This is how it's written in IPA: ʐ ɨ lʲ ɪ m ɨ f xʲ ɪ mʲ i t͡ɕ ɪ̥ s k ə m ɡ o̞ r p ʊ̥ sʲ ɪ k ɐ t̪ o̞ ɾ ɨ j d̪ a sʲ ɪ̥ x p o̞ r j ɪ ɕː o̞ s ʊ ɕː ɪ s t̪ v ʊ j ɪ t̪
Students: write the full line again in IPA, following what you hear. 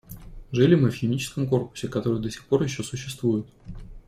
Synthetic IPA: ʐ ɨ lʲ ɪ m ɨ f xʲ ɪ mʲ i t͡ɕ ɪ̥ s k ə m k o̞ r p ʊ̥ sʲ ɪ k ɐ t̪ o̞ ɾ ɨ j d̪ ə sʲ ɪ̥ x p o̞ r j ɪ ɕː o̞ s ʊ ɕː ɪ s t̪ v u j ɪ t̪

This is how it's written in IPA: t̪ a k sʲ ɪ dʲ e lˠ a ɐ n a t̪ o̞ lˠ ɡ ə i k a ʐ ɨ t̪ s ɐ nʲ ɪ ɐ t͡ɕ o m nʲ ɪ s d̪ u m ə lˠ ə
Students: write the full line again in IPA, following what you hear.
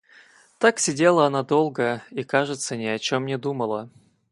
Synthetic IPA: t̪ a k sʲ ɪ dʲ e lˠ ə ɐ n a d̪ o̞ lˠ ɡ ə i k a ʐ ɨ t̪ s ə nʲ ɪ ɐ t͡ɕ o m nʲ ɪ d̪ u m ə lˠ ə

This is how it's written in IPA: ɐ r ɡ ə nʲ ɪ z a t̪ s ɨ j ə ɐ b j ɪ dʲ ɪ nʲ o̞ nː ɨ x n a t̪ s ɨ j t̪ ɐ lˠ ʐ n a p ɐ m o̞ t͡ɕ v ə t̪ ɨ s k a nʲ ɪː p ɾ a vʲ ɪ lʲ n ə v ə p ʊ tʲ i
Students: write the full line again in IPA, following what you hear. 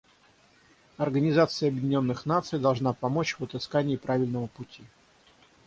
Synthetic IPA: ɐ r ɡ ə nʲ ɪ z a t̪ s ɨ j ə ɐ b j ɪ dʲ ɪ nʲ o̞ nː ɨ x n a t̪ s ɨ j d̪ ɐ lˠ ʐ n a p ɐ m o̞ t͡ɕ v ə t̪ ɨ s k a nʲ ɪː p ɾ a vʲ ɪ lʲ n ə v ə p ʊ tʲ i

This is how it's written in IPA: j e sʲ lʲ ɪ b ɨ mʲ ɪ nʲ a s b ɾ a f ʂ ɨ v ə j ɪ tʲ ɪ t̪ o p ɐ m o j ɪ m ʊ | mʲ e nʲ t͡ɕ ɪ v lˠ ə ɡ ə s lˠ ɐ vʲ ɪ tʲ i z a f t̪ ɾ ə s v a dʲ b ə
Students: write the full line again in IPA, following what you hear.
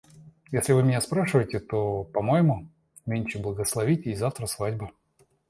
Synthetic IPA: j e sʲ lʲ ɪ v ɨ mʲ ɪ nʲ a s p ɾ a ʂ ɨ v ə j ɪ tʲ ɪ t̪ o p ɐ m o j ɪ m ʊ | mʲ e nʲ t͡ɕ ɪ b lˠ ə ɡ ə s lˠ ɐ vʲ i tʲ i z a f t̪ ɾ ə s v a dʲ b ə

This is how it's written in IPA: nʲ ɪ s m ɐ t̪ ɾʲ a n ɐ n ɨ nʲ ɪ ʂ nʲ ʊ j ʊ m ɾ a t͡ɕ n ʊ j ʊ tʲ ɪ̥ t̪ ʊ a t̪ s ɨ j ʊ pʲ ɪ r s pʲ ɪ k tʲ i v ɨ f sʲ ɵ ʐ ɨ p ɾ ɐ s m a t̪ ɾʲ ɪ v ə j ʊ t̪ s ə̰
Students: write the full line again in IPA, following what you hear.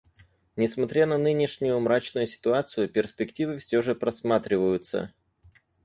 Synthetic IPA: nʲ ɪ s m ɐ t̪ ɾʲ a n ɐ n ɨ nʲ ɪ ʂ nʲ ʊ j ʊ m ɾ a t͡ɕ n ʊ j ʊ sʲ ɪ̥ t̪ ʊ a t̪ s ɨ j ʊ pʲ ɪ r s pʲ ɪ k tʲ i v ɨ f sʲ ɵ ʐ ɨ p ɾ ɐ s m a t̪ ɾʲ ɪ v ə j ʊ t̪ s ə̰

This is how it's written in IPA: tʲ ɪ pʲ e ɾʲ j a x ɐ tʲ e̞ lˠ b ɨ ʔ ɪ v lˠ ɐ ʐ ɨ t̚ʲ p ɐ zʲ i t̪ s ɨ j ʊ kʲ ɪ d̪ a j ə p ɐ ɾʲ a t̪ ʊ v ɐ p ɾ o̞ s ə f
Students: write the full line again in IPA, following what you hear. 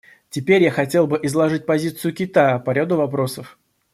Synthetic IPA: tʲ ɪ pʲ e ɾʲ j a x ɐ tʲ e̞ lˠ b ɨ ʔ ɪ z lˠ ɐ ʐ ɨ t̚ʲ p ɐ zʲ i t̪ s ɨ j ʊ kʲ ɪ t̪ a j ə p ɐ ɾʲ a d̪ ʊ v ɐ p ɾ o̞ s ə f

